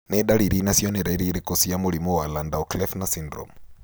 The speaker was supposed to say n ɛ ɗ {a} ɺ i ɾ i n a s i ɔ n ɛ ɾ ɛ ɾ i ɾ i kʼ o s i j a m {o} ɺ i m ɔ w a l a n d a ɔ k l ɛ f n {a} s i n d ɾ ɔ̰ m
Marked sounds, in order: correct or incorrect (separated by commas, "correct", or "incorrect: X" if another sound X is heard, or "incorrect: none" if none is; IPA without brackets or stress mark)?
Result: correct, incorrect: u, correct